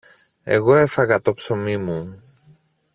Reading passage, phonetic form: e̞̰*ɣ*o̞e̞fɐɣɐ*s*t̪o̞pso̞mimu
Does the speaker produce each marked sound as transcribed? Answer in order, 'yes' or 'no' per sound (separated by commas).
yes, no